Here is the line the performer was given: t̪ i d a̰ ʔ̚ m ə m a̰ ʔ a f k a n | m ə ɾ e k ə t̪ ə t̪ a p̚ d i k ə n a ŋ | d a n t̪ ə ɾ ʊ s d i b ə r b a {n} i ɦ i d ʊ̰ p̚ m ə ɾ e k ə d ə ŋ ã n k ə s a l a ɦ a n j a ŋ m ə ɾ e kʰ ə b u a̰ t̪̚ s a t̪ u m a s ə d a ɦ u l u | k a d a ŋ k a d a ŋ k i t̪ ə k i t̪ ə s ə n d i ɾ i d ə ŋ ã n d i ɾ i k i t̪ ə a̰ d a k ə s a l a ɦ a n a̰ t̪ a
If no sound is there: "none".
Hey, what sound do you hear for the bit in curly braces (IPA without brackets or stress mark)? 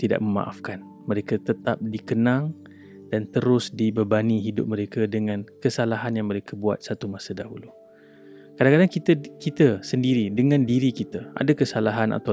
n